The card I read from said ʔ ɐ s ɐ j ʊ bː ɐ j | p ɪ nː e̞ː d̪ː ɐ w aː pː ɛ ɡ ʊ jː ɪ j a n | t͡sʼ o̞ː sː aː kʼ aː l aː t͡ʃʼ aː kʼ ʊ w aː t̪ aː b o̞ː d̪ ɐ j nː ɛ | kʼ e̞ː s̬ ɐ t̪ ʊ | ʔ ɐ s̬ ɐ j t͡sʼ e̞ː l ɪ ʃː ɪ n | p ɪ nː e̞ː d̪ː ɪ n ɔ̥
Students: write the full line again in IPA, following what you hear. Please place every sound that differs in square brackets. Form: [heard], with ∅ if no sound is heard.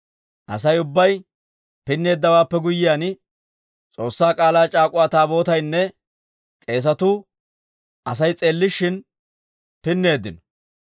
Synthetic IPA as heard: ʔ ɐ s ɐ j ʊ bː ɐ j | p ɪ nː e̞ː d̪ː ɐ w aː pː ɛ ɡ ʊ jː ɪ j a n | t͡sʼ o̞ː sː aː kʼ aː l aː t͡ʃʼ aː kʼ ʊ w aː t̪ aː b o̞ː [t̪] ɐ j nː ɛ | kʼ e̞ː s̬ ɐ t̪ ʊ | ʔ ɐ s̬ ɐ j t͡sʼ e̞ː [lː] ɪ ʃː ɪ n | p ɪ nː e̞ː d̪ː ɪ n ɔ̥

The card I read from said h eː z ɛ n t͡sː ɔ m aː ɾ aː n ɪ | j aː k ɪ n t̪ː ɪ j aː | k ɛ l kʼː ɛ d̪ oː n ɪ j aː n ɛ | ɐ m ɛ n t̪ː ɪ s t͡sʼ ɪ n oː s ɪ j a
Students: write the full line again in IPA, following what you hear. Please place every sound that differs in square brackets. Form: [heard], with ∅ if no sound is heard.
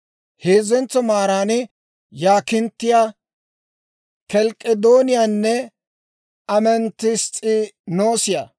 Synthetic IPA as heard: h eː z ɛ n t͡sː ɔ m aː ɾ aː n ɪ | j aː k ɪ n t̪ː ɪ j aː | k ɛ l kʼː ɛ d̪ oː n ɪ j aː [nː] ɛ | ɐ m ɛ n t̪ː ɪ s t͡sʼ ɪ n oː s ɪ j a

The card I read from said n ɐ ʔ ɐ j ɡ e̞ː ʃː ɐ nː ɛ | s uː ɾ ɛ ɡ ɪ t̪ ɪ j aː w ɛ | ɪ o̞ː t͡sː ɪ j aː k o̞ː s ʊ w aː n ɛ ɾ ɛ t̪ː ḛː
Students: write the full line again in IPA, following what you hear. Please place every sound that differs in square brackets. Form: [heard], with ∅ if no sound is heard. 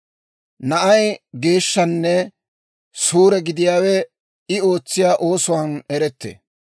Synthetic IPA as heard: n ɐ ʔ ɐ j ɡ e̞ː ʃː ɐ nː ɛ | s uː ɾ ɛ ɡ ɪ [d̪] ɪ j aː w ɛ | ɪ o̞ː t͡sː ɪ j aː [ʔ] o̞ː s ʊ w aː n ɛ ɾ ɛ t̪ː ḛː

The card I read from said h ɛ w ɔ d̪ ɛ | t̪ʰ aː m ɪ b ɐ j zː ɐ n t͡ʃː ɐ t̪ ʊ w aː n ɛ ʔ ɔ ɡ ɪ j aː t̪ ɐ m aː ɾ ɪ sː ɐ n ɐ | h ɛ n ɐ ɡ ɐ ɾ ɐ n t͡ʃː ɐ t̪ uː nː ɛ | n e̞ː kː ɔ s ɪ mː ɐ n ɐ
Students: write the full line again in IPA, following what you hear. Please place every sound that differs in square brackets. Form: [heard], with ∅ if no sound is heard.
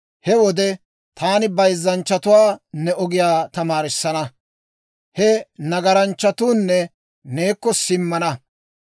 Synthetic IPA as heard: h ɛ w ɔ d̪ ɛ | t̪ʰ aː [n] ɪ b ɐ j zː ɐ n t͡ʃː ɐ t̪ ʊ w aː n ɛ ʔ ɔ ɡ ɪ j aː t̪ ɐ m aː ɾ ɪ sː ɐ n ɐ | h ɛ n ɐ ɡ ɐ ɾ ɐ n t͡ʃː ɐ t̪ uː nː ɛ | n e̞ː kː ɔ s ɪ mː ɐ n ɐ

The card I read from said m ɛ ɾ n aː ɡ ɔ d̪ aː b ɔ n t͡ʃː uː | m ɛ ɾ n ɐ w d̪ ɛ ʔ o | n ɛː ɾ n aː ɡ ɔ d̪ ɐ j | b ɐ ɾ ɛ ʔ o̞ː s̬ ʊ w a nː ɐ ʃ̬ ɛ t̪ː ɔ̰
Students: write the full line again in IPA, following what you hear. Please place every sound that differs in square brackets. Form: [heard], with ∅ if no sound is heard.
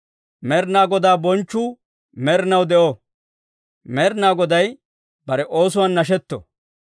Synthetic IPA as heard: m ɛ ɾ n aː ɡ ɔ d̪ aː b ɔ n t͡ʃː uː | m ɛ ɾ n ɐ w d̪ ɛ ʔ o | [m] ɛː ɾ n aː ɡ ɔ d̪ ɐ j | b ɐ ɾ ɛ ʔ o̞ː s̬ ʊ w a nː ɐ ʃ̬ ɛ t̪ː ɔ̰

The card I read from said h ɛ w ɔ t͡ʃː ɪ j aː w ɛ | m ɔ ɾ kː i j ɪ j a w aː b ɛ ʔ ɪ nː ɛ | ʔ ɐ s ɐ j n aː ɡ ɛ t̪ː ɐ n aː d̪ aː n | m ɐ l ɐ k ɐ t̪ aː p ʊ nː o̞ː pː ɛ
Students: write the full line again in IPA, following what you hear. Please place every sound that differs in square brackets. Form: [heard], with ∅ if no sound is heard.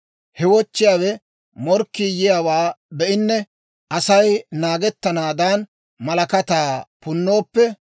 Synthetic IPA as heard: h ɛ w ɔ t͡ʃː ɪ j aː w ɛ | m ɔ ɾ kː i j ɪ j a w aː b ɛ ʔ ɪ nː ɛ | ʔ ɐ s ɐ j n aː ɡ ɛ t̪ː ɐ n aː d̪ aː n | m ɐ l ɐ k ɐ t̪ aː p ʊ nː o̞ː pː ɛ

